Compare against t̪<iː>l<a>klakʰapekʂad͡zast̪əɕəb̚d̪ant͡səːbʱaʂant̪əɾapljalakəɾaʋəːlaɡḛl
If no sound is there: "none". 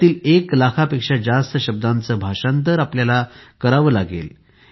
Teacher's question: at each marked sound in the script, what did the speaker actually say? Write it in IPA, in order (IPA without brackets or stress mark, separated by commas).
iː, e